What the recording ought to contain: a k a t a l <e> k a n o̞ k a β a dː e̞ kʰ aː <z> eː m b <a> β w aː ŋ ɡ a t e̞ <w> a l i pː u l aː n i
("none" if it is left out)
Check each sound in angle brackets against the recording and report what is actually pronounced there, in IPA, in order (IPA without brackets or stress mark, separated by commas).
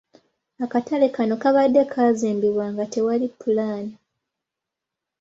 e, z, i, w